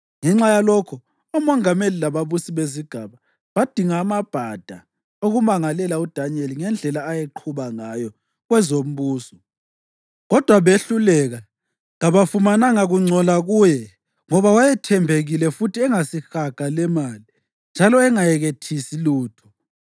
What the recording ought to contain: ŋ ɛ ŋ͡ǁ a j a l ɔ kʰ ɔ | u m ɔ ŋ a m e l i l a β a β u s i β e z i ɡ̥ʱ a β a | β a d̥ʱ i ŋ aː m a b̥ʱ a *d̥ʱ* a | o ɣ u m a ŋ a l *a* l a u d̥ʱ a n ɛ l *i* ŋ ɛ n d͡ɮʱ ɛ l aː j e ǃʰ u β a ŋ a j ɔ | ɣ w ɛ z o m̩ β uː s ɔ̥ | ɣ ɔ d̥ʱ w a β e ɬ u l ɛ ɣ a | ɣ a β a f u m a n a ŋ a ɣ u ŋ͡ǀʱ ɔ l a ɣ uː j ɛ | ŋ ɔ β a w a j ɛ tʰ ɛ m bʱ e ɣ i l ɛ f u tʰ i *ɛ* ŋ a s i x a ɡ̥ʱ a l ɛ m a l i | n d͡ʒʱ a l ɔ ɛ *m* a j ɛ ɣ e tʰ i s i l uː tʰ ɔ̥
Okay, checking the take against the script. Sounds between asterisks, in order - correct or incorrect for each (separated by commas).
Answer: correct, incorrect, correct, correct, incorrect